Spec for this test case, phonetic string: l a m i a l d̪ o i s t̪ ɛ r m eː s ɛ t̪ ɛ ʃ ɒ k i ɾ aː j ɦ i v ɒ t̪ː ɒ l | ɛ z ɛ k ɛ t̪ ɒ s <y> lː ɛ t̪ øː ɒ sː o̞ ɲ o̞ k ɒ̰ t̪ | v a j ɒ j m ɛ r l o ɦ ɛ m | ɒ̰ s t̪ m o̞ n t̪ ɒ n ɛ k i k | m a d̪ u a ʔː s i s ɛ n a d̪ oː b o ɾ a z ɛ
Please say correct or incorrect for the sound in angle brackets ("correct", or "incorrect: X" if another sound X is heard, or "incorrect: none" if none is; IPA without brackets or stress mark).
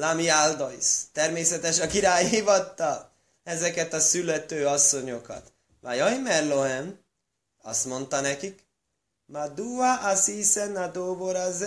correct